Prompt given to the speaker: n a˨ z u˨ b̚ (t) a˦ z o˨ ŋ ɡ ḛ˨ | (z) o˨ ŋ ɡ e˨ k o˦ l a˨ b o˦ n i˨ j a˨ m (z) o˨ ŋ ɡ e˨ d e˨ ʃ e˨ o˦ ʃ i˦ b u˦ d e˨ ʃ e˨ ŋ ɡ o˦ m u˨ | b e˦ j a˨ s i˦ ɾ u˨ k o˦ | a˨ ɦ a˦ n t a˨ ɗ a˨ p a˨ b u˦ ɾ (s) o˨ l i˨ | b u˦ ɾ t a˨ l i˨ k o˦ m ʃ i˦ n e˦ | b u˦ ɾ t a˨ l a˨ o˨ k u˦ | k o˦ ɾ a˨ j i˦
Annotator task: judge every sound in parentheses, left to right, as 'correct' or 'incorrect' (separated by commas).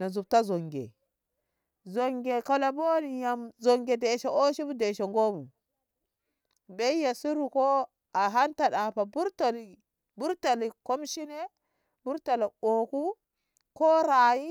correct, correct, correct, incorrect